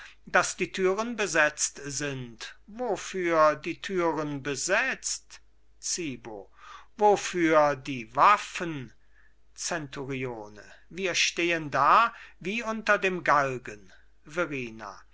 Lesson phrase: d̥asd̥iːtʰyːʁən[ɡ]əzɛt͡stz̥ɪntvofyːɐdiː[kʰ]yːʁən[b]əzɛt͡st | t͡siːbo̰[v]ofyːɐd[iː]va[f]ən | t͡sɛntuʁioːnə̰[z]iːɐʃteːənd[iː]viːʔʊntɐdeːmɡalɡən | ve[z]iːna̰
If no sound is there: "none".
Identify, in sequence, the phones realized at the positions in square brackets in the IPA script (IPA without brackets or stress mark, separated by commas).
b, tʰ, b, v, iː, f, v, aː, ʁ